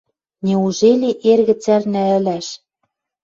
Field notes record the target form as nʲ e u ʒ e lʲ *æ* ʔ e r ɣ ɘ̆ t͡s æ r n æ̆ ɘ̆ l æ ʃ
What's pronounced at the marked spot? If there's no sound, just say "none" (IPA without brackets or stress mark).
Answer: e